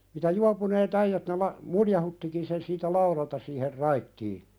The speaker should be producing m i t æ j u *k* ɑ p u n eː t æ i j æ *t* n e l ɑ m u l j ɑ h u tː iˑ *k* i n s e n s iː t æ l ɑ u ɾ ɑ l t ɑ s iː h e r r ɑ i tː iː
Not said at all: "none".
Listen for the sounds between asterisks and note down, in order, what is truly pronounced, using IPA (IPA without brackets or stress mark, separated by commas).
none, t, k